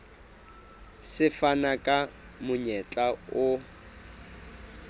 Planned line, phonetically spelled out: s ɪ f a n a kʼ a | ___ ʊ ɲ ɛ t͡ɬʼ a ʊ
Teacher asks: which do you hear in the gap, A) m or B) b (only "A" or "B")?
A